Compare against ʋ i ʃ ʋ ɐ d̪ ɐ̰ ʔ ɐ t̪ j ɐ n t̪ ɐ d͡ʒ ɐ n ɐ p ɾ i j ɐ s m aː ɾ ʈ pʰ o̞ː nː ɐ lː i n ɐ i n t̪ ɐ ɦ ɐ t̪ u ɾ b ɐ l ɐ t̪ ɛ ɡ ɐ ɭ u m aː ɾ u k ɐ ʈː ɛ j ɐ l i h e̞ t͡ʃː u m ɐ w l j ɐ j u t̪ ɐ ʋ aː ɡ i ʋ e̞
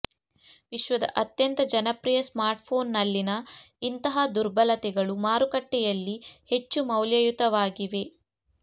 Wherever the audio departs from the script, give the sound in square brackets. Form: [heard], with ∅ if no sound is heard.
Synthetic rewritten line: ʋ i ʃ ʋ ɐ d̪ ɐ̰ ʔ ɐ t̪ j ɐ n t̪ ɐ d͡ʒ ɐ n ɐ p ɾ i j ɐ s m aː ɾ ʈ pʰ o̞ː nː ɐ lː i n ɐ i n t̪ ɐ ɦ ɐ [d̪] u ɾ b ɐ l ɐ t̪ ɛ ɡ ɐ ɭ u m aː ɾ u k ɐ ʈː ɛ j ɐ [lː] i h e̞ t͡ʃː u m ɐ w l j ɐ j u t̪ ɐ ʋ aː ɡ i ʋ e̞